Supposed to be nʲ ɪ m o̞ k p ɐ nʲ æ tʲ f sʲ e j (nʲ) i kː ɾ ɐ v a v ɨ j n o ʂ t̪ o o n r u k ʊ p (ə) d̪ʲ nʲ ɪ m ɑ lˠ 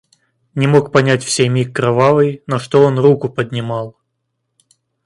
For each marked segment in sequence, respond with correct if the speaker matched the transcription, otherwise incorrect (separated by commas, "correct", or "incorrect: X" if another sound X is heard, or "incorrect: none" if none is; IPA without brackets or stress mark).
incorrect: mʲ, correct